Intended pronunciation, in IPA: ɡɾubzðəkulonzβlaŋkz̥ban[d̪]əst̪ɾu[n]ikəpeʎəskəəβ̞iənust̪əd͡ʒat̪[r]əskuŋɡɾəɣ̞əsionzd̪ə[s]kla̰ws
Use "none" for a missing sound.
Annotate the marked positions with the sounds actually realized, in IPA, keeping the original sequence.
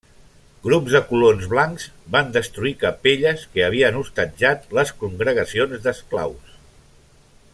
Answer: d̪, none, l, s

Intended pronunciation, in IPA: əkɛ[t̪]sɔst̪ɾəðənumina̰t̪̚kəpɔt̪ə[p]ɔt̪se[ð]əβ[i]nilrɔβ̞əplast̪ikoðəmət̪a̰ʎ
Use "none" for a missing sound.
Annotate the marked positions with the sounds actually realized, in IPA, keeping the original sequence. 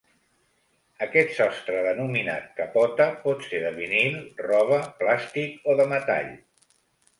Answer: t̪, p, ð, i

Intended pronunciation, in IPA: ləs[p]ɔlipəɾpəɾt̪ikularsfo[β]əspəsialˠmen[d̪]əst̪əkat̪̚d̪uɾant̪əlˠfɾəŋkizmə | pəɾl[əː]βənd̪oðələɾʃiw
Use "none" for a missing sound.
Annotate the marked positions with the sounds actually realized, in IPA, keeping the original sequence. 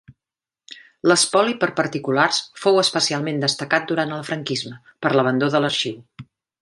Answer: p, w, d̪, ə

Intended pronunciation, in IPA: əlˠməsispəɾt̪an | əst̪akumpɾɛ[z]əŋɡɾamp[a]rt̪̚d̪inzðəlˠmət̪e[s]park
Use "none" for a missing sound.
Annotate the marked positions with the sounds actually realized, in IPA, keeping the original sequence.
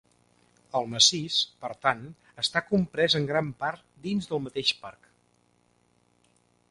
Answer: z, a, ʃ

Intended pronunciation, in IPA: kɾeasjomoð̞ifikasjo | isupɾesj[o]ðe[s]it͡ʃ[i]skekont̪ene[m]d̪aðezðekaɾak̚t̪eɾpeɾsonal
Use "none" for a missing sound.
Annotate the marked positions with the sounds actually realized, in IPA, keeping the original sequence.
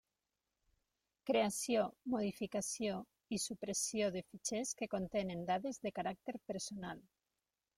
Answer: o, f, e, n

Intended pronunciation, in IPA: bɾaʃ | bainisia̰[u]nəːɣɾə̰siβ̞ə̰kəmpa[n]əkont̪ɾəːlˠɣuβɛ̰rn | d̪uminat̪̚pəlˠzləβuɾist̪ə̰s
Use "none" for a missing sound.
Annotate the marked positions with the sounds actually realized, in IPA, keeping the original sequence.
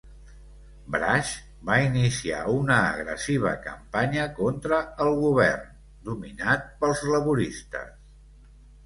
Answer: u, ɲ

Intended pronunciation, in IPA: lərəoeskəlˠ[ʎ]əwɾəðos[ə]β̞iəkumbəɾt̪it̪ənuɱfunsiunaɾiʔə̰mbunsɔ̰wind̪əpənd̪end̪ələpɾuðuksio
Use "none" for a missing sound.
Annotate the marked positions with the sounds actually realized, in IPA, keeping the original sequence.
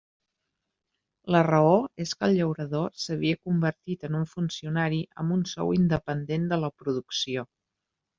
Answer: ʎ, ə

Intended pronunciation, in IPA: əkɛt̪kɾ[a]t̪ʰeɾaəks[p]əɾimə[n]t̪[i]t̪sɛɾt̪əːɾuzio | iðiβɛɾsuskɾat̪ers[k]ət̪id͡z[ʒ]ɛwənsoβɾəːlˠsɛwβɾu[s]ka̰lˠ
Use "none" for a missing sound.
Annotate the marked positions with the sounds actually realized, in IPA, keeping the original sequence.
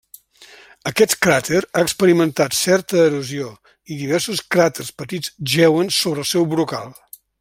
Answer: a, p, n, a, p, ʒ, none

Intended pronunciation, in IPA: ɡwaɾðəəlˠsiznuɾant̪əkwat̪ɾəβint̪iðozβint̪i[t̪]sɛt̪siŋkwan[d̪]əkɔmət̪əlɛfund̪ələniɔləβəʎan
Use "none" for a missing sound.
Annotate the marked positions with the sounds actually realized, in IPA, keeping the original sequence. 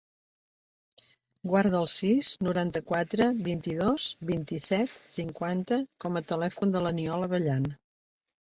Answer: none, t̪

